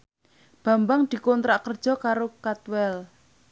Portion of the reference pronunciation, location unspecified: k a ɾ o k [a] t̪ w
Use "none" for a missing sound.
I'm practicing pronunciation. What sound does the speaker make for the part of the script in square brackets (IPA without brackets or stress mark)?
a